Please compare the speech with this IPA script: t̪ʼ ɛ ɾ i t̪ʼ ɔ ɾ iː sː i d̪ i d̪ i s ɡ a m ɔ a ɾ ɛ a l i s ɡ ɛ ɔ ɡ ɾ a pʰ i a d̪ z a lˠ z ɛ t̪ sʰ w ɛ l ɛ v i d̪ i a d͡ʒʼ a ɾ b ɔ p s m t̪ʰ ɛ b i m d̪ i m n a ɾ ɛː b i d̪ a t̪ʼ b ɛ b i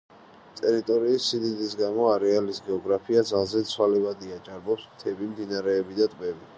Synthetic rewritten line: t̪ʼ ɛ ɾ i t̪ʼ ɔ ɾ iː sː i d̪ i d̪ i s ɡ a m ɔ a ɾ ɛ a l i s ɡ ɛ ɔ ɡ ɾ a pʰ i a d̪ z a lˠ z ɛ t̪ sʰ w a l ɛ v a d̪ i a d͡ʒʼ a ɾ b ɔ p s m t̪ʰ ɛ b i m d̪ i n a ɾ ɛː b i d̪ a t̪ʼ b ɛ b i